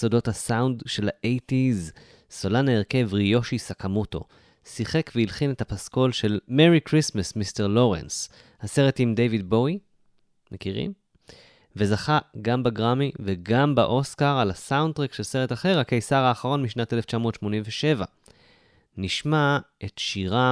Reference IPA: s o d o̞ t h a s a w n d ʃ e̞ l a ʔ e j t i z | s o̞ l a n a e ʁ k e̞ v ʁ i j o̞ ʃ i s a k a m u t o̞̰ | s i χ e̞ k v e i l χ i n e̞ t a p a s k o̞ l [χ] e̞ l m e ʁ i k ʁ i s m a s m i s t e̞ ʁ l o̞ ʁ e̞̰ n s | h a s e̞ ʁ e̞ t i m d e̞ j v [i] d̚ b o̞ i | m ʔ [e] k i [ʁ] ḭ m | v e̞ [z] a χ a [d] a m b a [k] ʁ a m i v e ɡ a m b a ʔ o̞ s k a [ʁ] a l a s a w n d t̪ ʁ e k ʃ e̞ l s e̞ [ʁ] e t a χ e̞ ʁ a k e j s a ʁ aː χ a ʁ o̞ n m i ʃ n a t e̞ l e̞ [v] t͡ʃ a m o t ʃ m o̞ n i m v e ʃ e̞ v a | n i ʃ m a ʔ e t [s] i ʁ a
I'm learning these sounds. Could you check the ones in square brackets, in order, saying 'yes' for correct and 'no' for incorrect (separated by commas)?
no, yes, yes, yes, yes, no, no, yes, yes, no, no